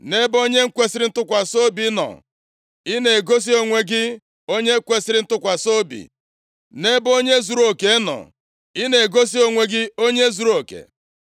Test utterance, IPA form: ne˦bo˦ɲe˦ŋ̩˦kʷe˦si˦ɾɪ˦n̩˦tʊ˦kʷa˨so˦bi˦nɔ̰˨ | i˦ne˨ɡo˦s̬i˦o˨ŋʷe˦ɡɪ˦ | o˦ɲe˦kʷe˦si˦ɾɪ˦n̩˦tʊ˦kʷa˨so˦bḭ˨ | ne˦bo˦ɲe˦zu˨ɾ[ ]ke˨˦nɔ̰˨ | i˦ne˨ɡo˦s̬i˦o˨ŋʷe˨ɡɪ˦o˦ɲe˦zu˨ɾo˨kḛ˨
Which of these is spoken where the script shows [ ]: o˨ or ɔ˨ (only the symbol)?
o˨